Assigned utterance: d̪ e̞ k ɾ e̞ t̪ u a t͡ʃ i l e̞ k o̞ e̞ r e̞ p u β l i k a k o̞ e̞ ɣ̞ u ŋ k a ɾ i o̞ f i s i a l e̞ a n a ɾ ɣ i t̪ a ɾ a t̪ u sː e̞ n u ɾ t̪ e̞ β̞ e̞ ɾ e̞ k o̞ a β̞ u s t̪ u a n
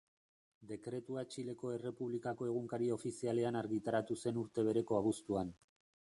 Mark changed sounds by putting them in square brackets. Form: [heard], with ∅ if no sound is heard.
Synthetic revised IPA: d̪ e̞ k ɾ e̞ t̪ u a t͡ʃ i l e̞ k o̞ e̞ r e̞ p u β l i k a k o̞ e̞ ɣ̞ u ŋ k a ɾ i o̞ f i s i a l e̞ a n a ɾ ɣ i t̪ a ɾ a t̪ u [s] e̞ n u ɾ t̪ e̞ β̞ e̞ ɾ e̞ k o̞ a β̞ u s t̪ u a n